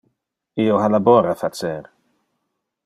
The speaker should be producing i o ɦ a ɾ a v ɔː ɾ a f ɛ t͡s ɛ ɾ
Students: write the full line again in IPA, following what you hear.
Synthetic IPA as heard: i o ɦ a l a b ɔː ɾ a f a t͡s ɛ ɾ